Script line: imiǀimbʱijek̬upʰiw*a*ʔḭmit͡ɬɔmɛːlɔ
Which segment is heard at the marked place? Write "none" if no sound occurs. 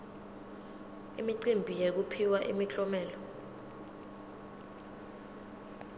a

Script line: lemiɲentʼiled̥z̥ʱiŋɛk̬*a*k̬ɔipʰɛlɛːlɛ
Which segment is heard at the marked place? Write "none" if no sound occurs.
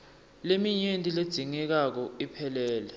a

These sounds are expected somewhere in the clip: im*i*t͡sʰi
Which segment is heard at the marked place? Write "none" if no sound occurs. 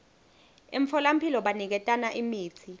iː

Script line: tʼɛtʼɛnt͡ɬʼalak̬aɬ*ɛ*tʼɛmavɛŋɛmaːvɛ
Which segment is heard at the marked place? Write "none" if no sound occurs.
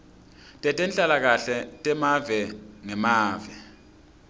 ɛ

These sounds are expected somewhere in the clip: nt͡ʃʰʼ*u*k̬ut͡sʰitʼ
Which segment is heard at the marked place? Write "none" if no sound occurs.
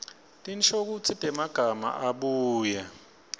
o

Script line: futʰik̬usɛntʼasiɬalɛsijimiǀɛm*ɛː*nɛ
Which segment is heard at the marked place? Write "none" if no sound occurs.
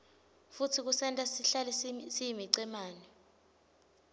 aː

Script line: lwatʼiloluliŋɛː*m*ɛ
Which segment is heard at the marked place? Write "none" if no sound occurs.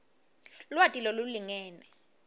n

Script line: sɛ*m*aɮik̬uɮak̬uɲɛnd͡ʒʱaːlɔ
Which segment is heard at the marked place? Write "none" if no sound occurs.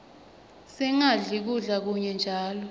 ŋ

